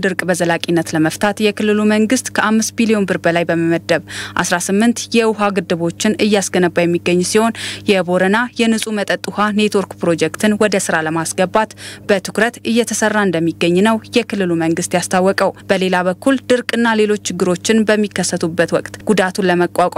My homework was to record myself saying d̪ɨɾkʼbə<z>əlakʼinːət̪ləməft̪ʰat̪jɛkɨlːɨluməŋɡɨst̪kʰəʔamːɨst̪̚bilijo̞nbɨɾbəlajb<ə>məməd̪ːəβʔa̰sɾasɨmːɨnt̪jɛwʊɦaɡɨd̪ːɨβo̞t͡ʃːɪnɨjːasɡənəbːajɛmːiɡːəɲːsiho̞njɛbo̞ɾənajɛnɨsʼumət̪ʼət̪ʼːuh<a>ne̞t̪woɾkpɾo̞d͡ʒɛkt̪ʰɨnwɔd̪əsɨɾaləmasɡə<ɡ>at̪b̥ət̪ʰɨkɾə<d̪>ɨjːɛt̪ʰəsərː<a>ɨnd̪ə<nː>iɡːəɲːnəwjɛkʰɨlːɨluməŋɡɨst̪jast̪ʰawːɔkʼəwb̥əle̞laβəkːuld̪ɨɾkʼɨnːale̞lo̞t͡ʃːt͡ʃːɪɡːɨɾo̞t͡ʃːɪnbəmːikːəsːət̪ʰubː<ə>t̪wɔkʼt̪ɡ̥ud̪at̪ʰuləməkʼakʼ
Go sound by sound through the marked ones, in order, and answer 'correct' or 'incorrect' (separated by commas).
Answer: correct, correct, correct, incorrect, incorrect, correct, incorrect, correct